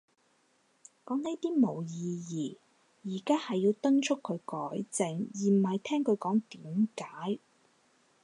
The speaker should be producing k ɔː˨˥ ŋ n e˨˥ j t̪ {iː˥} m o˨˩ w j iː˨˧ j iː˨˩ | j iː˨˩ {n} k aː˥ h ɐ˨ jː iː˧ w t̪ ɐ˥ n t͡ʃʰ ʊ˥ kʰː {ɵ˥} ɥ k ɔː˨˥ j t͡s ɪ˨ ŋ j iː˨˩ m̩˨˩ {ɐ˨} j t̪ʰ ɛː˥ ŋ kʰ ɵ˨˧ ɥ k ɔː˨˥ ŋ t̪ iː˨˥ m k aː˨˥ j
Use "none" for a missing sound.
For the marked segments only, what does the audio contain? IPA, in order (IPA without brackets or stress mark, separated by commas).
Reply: iː˥, none, ɵ˨˧, ɐ˨